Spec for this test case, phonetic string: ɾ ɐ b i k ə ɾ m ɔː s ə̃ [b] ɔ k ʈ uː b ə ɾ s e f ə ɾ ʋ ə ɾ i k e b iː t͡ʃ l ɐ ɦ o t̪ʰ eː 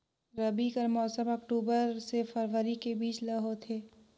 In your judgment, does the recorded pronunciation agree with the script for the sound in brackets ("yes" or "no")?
no